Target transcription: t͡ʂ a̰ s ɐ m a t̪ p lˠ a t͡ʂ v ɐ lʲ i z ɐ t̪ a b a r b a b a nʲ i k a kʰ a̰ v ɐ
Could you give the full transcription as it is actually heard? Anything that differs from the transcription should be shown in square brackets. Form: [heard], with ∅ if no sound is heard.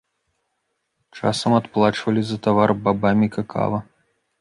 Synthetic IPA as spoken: t͡ʂ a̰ s ɐ m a t̪ p lˠ a t͡ʂ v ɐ lʲ i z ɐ t̪ a [v] a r b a b a [mʲ] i k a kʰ a̰ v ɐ

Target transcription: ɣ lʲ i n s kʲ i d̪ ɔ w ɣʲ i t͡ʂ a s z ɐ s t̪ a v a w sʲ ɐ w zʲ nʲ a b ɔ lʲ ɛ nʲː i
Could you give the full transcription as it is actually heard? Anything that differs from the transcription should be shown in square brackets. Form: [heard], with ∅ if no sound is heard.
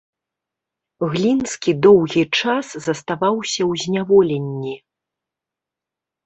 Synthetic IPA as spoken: ɣ lʲ i n s kʲ i d̪ ɔ w ɣʲ i t͡ʂ a s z ɐ s t̪ a v a w sʲ ɐ w zʲ nʲ a [v] ɔ lʲ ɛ nʲː i

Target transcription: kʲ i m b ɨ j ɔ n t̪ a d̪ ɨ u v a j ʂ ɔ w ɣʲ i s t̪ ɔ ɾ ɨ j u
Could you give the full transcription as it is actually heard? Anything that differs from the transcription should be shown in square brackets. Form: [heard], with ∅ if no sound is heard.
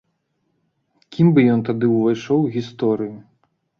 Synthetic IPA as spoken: kʲ i m b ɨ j ɔ n t̪ a d̪ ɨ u v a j ʂ ɔ w ɣʲ i s t̪ ɔ ɾ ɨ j u

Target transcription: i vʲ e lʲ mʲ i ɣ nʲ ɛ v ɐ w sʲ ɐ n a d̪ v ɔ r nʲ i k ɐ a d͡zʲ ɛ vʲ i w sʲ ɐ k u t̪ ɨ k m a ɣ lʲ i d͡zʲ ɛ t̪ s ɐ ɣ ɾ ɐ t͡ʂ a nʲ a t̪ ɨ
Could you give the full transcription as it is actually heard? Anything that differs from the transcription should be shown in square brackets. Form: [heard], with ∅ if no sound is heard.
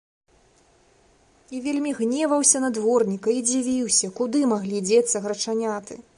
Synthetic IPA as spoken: i vʲ e lʲ mʲ i ɣ nʲ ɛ v ɐ w sʲ ɐ n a d̪ v ɔ r nʲ i k ɐ [i] d͡zʲ [i] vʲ i w sʲ ɐ k u [d̪] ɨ [∅] m a ɣ lʲ i d͡zʲ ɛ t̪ s ɐ ɣ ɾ ɐ t͡ʂ a nʲ a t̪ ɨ

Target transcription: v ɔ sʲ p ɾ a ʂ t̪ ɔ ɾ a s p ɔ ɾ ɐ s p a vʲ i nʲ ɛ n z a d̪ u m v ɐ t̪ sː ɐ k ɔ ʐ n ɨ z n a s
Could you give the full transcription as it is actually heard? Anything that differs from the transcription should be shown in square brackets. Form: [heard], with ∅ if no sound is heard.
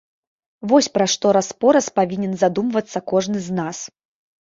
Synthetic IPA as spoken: v ɔ sʲ p ɾ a ʂ t̪ ɔ ɾ a s p ɔ ɾ ɐ s p a vʲ i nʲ ɛ n z a d̪ u m v ɐ t̪ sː ɐ k ɔ ʐ n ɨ z n a s

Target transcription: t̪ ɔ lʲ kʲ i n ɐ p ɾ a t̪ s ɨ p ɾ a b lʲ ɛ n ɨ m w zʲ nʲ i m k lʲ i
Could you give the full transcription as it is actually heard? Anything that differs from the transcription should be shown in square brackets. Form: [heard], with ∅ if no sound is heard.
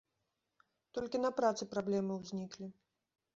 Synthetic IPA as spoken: t̪ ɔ lʲ kʲ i n ɐ p ɾ a t̪ s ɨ p ɾ a b lʲ ɛ [m] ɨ [∅] w zʲ nʲ i [∅] k lʲ i

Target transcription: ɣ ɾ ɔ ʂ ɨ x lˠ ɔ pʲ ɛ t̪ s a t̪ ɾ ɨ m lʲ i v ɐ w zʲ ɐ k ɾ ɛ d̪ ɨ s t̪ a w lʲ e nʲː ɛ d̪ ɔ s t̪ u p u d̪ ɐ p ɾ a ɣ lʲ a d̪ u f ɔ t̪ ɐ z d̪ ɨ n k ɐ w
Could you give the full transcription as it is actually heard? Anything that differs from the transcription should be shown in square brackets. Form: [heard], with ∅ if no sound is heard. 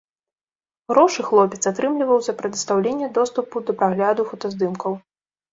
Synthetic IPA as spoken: ɣ ɾ ɔ ʂ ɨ x lˠ ɔ pʲ ɛ t̪ s a t̪ ɾ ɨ m lʲ i v ɐ w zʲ ɐ [p] ɾ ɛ d̪ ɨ s t̪ a w lʲ e nʲː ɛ d̪ ɔ s t̪ u p u d̪ ɐ p ɾ a ɣ lʲ a d̪ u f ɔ t̪ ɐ z d̪ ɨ [m] k ɐ w

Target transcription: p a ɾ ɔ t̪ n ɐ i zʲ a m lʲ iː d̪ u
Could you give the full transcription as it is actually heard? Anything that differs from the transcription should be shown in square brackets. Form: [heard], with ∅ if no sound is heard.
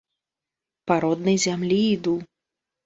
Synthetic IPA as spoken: p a ɾ ɔ [d̪] n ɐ [j] zʲ a m lʲ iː d̪ u

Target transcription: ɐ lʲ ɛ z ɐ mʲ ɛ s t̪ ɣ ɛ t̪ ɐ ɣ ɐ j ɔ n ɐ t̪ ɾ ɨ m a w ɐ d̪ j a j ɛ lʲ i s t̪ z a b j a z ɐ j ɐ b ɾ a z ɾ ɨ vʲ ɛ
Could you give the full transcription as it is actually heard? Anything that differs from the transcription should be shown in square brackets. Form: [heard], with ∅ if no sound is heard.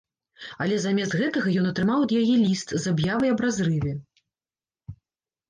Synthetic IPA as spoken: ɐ lʲ ɛ z [a] mʲ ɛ s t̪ ɣ ɛ t̪ ɐ ɣ ɐ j ɔ n ɐ t̪ ɾ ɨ m a w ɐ d̪ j a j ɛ lʲ i s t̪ z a b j a [v] ɐ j ɐ b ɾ a z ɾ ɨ vʲ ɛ

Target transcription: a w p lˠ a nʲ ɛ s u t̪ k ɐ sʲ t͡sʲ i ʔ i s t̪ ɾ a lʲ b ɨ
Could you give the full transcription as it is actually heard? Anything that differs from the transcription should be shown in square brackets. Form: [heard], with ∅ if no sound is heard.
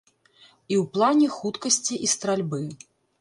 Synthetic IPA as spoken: [i] w p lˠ a nʲ ɛ [x] u t̪ k ɐ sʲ t͡sʲ i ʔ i s t̪ ɾ a lʲ b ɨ

